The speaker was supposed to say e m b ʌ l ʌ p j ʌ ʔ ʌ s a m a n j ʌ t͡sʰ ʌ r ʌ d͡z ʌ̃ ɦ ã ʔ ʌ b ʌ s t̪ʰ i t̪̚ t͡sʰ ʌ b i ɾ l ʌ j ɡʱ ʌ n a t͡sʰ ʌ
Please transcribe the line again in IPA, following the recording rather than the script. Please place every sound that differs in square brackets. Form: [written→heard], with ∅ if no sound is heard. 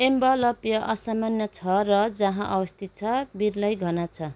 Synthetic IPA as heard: e m b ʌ l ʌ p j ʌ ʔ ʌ s a m a n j ʌ t͡sʰ ʌ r ʌ d͡z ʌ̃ ɦ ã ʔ ʌ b ʌ s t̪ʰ i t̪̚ t͡sʰ ʌ b i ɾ l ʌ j ɡʱ ʌ n a t͡sʰ ʌ

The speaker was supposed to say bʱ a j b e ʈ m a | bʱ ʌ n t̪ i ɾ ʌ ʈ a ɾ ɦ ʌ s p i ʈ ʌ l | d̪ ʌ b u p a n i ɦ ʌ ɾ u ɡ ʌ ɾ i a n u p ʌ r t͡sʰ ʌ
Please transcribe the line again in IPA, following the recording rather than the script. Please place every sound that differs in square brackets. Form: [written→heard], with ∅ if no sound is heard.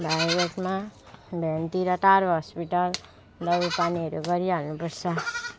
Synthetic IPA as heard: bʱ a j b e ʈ m a | bʱ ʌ n t̪ i ɾ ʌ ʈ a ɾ ɦ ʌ s p i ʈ ʌ l | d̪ ʌ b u p a n i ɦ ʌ ɾ u ɡ ʌ ɾ i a n u p ʌ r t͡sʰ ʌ

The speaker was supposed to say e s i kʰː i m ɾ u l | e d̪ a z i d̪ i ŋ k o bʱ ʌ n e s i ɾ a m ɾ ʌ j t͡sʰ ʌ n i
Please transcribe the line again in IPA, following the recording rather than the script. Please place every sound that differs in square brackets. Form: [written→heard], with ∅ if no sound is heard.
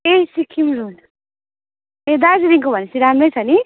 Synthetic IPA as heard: e s i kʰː i m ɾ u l | e d̪ a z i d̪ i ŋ k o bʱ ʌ n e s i ɾ a m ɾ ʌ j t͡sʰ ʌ n i

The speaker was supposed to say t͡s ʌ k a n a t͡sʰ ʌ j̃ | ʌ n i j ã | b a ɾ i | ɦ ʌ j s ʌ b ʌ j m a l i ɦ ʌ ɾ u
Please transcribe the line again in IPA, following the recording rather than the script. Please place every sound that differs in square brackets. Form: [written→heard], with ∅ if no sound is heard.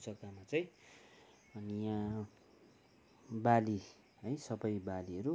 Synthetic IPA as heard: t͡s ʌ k a [n→m] a [t͡sʰ→t͡s] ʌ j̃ | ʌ n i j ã | b a [ɾ→l] i | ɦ ʌ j s ʌ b ʌ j [m→b] a l i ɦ ʌ ɾ u

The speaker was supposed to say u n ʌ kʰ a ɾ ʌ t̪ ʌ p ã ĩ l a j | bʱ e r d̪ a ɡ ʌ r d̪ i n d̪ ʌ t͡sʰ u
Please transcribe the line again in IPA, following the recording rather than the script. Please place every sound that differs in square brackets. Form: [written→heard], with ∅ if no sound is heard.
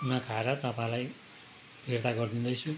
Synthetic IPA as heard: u n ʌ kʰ a ɾ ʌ t̪ ʌ p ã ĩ l a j | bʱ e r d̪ a ɡ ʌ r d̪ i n d̪ ʌ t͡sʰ u

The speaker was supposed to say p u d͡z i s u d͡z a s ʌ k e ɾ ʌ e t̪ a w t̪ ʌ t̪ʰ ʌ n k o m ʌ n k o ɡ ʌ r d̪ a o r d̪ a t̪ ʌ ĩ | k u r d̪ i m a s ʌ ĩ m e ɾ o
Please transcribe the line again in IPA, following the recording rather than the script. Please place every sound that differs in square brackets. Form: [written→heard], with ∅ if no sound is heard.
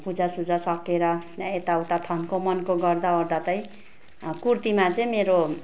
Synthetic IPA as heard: p u d͡z [i→a] s u d͡z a s ʌ k e ɾ ʌ e t̪ a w t̪ [ʌ→a] t̪ʰ ʌ n k o m ʌ n k o ɡ ʌ r d̪ a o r d̪ a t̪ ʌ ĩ | k u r [d̪→t̪] i m a [s→t͡s] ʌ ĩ m e ɾ o

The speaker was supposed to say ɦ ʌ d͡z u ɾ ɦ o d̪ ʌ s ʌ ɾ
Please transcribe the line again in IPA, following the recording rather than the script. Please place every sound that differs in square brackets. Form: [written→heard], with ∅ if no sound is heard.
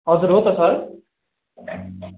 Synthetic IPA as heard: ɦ ʌ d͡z u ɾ ɦ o [d̪→t̪] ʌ s ʌ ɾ

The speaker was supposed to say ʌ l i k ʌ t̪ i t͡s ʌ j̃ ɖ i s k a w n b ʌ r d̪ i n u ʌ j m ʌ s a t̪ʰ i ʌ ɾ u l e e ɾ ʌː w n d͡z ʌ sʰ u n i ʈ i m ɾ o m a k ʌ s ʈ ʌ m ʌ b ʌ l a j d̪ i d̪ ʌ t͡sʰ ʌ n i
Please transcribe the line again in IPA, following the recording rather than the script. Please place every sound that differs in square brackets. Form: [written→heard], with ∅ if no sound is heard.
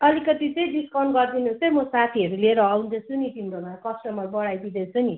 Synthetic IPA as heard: ʌ l i k ʌ t̪ i t͡s ʌ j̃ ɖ i s k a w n [b→ɡ] ʌ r d̪ i n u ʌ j m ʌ s a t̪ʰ i ʌ ɾ u l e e ɾ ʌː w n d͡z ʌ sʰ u n i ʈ i m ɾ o m a k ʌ s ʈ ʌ m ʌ b ʌ [l→ɽ] a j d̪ i d̪ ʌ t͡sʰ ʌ n i

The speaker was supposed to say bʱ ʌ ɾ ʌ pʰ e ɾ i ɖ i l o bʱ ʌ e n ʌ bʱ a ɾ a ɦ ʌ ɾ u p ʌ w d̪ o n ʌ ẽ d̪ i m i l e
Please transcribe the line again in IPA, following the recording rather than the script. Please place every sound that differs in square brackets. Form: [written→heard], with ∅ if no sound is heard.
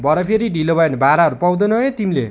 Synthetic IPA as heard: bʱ ʌ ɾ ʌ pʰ e ɾ i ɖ i l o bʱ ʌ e n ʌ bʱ a ɾ a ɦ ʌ ɾ u p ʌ w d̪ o n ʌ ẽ [d̪→t̪] i m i l e

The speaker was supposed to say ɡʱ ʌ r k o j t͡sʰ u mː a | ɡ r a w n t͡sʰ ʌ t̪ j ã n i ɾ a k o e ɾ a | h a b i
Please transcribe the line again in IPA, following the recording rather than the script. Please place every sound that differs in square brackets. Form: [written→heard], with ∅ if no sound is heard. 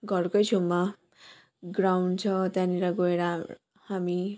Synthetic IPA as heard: ɡʱ ʌ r k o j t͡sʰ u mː a | ɡ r a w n t͡sʰ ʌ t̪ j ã n i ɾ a [k→ɡ] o e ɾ a | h a [b→m] i

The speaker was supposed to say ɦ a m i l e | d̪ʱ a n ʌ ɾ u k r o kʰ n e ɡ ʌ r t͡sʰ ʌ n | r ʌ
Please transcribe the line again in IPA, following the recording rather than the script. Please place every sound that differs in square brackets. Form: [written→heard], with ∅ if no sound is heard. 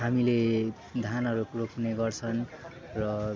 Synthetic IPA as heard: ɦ a m i l e | d̪ʱ a n ʌ ɾ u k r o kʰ n e ɡ ʌ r t͡sʰ ʌ n | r ʌ

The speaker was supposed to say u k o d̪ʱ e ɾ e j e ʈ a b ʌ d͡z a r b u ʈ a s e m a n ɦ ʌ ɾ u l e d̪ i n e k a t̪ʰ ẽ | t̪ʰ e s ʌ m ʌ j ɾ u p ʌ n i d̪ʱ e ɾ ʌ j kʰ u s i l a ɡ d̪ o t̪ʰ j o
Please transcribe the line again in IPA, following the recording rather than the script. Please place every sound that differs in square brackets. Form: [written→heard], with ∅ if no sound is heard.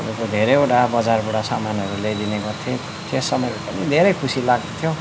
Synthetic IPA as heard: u k o d̪ʱ e ɾ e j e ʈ a b ʌ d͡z a r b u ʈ a s [e→a] m a n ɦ ʌ ɾ u l e d̪ i n e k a t̪ʰ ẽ | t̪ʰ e s ʌ m ʌ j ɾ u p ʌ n i d̪ʱ e ɾ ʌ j kʰ u s i l a ɡ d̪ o t̪ʰ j o

